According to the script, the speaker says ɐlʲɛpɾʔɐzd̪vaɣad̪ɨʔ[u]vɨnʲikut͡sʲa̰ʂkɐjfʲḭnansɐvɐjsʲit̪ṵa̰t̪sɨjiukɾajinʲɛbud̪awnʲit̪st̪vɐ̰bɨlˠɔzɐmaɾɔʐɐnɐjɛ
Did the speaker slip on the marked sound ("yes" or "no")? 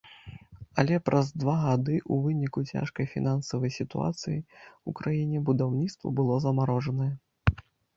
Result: no